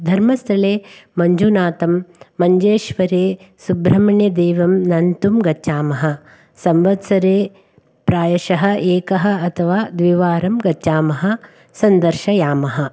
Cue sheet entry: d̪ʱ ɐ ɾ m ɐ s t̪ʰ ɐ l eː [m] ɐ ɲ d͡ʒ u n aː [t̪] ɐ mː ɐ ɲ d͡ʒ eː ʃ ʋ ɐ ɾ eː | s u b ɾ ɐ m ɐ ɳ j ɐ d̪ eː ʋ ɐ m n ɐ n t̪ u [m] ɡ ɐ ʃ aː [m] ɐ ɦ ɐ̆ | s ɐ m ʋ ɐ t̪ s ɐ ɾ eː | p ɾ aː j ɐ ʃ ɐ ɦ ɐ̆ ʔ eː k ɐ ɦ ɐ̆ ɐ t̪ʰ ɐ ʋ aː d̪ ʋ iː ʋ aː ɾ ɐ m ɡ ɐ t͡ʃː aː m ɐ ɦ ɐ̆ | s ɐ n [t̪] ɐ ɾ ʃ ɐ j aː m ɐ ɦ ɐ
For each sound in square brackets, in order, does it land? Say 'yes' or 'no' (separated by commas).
yes, yes, yes, yes, no